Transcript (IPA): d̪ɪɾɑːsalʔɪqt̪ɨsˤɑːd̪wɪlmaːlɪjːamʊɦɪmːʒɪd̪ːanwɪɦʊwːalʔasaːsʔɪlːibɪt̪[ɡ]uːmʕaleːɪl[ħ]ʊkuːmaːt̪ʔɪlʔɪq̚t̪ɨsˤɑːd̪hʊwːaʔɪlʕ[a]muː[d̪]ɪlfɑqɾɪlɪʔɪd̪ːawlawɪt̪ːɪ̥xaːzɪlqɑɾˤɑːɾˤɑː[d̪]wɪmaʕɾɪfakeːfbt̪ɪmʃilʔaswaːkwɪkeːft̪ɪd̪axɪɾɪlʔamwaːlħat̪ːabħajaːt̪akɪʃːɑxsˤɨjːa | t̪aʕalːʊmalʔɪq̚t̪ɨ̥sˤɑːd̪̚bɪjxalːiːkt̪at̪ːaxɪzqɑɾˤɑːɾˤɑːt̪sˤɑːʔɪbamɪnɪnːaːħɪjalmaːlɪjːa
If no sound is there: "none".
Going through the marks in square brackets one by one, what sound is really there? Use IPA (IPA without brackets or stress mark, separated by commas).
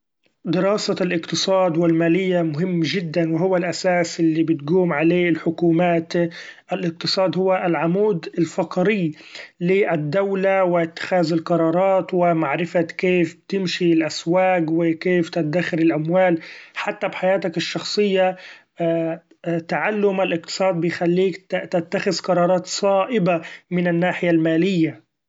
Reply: ɡ, ħ, a, d̪, t̪